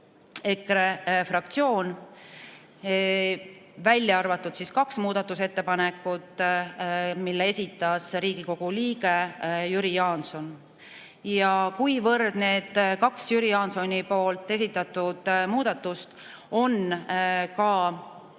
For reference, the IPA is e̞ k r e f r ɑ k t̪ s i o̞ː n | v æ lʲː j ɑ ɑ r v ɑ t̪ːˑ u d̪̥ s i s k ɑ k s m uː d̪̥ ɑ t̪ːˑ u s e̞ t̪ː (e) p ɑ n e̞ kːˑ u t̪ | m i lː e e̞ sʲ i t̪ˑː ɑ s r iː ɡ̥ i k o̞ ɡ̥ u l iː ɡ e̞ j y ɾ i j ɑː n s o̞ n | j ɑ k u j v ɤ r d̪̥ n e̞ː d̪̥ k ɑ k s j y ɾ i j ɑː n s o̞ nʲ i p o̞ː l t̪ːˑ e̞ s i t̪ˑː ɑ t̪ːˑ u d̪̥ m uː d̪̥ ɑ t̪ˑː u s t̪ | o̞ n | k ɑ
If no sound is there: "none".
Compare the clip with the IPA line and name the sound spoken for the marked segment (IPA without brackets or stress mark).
e